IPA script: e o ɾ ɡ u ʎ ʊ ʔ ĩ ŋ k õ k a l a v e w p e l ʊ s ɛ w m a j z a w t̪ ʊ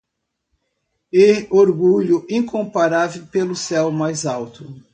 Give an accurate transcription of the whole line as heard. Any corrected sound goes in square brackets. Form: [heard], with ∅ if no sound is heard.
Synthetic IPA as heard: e o ɾ ɡ u ʎ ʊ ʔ ĩ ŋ k õ [p] a [ɾ] a v e w p e l ʊ s ɛ w m a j z a w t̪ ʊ

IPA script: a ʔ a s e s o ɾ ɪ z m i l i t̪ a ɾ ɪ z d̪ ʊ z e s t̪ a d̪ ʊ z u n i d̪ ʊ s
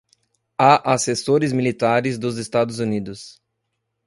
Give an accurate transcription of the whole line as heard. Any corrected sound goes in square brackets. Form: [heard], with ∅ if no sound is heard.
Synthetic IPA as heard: a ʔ a s e s o ɾ ɪ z m i l i t̪ a ɾ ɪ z d̪ ʊ z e s t̪ a d̪ ʊ z u n i d̪ ʊ s

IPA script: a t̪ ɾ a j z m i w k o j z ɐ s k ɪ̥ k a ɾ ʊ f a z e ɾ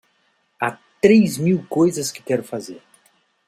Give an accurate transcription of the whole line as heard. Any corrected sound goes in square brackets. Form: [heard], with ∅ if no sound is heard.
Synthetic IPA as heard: a t̪ ɾ [e] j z m i w k o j z ɐ s k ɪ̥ k [ɛ] ɾ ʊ f a z e ɾ

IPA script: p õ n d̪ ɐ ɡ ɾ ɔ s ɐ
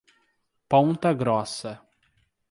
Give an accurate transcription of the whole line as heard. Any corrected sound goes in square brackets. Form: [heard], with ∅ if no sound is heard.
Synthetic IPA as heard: p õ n [t̪] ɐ ɡ ɾ ɔ s ɐ

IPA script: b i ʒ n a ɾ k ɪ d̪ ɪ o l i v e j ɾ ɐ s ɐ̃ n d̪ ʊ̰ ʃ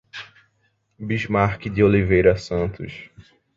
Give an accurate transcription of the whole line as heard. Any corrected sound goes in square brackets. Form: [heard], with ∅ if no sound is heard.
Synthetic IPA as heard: b i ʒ [m] a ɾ k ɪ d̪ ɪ o l i v e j ɾ ɐ s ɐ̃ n [t̪] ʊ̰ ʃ

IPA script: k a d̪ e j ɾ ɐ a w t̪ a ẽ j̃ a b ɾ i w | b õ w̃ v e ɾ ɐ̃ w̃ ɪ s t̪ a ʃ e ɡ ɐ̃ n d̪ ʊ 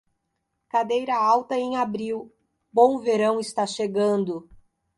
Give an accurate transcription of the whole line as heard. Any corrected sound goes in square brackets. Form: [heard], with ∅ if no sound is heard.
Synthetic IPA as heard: k a d̪ e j ɾ ɐ a w t̪ [ɐ] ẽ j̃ a b ɾ i w | b õ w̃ v e ɾ ɐ̃ w̃ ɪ s t̪ a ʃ e ɡ ɐ̃ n d̪ ʊ

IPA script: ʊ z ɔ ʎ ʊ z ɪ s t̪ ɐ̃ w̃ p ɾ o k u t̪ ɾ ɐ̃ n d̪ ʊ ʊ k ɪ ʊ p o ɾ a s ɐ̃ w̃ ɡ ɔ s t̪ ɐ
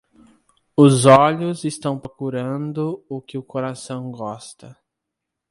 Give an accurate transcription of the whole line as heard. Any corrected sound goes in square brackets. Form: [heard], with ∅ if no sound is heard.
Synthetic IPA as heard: ʊ z ɔ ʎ ʊ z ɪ s t̪ ɐ̃ w̃ p ɾ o k u [∅] ɾ ɐ̃ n d̪ ʊ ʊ k ɪ ʊ [k] o ɾ a s ɐ̃ w̃ ɡ ɔ s t̪ ɐ

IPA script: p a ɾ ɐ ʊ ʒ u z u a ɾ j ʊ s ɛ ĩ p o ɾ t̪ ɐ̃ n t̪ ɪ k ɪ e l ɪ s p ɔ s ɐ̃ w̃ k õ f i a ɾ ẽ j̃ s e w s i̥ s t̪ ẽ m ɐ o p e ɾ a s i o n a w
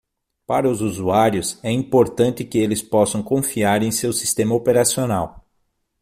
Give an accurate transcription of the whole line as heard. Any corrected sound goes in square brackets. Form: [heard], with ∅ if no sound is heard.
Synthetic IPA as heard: p a ɾ ɐ ʊ [z] u z u a ɾ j ʊ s ɛ ĩ p o ɾ t̪ ɐ̃ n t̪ ɪ k ɪ e l ɪ s p ɔ s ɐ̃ w̃ k õ f i a ɾ ẽ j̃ s e w s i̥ s t̪ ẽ m ɐ o p e ɾ a s i o n a w

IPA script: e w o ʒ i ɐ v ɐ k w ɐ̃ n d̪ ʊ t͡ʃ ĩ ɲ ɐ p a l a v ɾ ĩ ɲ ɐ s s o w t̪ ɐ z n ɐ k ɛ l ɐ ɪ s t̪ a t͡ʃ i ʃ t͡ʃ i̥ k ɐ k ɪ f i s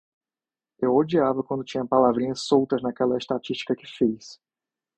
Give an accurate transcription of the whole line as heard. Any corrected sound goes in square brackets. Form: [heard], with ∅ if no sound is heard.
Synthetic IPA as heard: e w o [d͡ʒ] i [a] v ɐ k w ɐ̃ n d̪ ʊ t͡ʃ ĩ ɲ ɐ p a l a v ɾ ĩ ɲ ɐ s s o w t̪ ɐ z n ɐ k ɛ l ɐ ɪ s t̪ a t͡ʃ i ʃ t͡ʃ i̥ k ɐ k ɪ f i s

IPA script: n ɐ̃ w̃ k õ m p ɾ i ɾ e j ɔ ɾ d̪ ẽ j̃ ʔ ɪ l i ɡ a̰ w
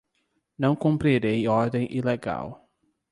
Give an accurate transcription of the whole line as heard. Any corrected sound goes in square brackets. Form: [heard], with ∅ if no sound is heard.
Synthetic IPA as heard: n ɐ̃ w̃ k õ m p ɾ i ɾ e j ɔ ɾ d̪ ẽ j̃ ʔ [i] l [e] ɡ a̰ w

